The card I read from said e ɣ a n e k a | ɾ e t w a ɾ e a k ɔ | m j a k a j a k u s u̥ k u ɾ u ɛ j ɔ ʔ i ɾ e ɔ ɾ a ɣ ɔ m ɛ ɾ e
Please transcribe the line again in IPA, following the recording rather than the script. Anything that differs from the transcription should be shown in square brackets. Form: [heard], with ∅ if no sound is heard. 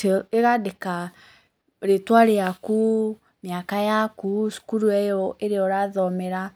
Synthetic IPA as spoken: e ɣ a [d] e k a | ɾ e t w a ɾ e a k [u] | m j a k a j a k u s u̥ k u ɾ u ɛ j ɔ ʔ [e] ɾ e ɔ ɾ a [ð] ɔ m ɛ ɾ [a]